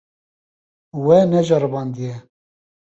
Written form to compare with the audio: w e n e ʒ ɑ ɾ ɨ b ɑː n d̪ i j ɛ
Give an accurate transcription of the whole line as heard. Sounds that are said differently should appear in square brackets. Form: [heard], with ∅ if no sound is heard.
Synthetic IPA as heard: w [ɛ] n [ɛ] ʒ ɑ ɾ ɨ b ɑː n d̪ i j ɛ